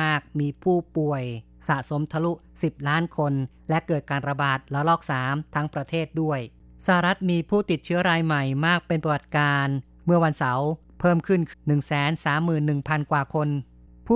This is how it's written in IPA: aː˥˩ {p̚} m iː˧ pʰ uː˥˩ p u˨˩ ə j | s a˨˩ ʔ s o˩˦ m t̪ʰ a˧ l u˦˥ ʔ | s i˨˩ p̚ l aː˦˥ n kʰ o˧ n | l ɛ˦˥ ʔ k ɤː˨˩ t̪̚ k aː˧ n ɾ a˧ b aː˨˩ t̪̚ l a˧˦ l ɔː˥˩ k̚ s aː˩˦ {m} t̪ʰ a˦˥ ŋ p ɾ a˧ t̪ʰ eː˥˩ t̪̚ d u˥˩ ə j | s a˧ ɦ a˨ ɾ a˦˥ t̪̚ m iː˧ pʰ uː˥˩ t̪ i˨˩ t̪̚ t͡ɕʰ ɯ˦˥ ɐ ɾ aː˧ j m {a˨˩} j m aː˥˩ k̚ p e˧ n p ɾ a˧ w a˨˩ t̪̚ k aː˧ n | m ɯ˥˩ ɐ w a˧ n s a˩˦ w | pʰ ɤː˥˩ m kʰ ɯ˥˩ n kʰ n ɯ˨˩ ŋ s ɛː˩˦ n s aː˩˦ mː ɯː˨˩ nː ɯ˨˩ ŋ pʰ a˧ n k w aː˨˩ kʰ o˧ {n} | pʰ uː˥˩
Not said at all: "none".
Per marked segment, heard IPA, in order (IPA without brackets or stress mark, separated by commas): k̚, m, a˨˩, n